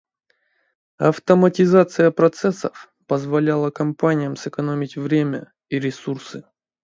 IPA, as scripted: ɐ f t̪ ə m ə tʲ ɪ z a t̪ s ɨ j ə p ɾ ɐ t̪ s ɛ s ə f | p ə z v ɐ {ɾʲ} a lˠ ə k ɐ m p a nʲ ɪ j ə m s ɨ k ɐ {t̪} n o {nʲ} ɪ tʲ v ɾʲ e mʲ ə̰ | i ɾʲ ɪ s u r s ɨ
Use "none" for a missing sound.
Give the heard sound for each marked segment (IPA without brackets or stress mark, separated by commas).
lʲ, none, mʲ